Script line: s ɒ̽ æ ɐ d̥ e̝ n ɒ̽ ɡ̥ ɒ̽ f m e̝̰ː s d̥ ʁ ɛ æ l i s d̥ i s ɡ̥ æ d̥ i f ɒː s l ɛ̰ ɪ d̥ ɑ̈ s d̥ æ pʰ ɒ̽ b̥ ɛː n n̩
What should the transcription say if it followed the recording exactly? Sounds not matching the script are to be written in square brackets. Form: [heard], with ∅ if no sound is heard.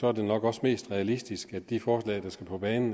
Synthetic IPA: s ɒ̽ æ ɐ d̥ e̝ n ɒ̽ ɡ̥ ɒ̽ [s] m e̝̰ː s d̥ ʁ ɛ æ l i s d̥ i s ɡ̥ æ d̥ i f ɒː s l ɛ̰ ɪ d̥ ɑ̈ s [ɡ̥] æ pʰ ɒ̽ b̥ ɛː n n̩